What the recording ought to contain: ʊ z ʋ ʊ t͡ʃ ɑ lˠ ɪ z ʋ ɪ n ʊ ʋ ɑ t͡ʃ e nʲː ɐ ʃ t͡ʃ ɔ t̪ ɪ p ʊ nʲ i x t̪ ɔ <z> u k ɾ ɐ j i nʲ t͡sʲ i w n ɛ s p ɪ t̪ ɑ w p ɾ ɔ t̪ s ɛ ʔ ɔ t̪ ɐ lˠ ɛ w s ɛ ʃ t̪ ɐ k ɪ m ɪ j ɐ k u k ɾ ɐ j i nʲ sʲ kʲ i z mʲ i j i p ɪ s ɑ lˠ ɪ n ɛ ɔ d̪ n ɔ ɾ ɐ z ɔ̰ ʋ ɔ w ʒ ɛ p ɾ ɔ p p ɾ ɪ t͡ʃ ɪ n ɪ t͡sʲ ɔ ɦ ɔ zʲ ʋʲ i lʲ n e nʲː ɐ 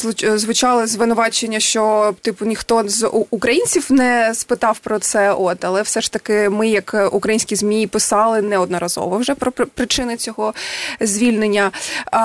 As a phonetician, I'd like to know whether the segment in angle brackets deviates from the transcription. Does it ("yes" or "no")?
no